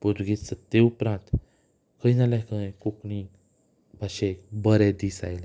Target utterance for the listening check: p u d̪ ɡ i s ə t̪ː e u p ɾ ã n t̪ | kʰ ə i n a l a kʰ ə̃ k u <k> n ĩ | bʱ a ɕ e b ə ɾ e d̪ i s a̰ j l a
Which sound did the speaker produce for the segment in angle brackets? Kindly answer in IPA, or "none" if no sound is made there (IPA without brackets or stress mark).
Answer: k